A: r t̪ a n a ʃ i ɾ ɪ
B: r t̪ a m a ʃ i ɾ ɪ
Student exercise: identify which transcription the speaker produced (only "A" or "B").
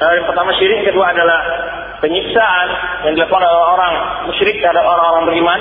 B